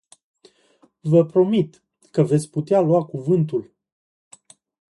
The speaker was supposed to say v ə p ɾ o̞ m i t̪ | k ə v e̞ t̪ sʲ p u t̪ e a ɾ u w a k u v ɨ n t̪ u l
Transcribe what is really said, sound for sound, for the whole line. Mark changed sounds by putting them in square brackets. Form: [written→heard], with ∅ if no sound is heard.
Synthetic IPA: v ə p ɾ o̞ m i t̪ | k ə v e̞ t̪ sʲ p u t̪ e a [ɾ→l] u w a k u v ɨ n t̪ u l